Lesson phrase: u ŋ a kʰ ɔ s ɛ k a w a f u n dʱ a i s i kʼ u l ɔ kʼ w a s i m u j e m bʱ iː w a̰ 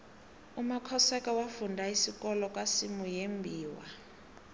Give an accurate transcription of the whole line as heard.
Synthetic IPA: u m a kʰ ɔ s ɛ k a w a f u n dʱ a i s i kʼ ɔ l ɔ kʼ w a s i m u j e m bʱ iː w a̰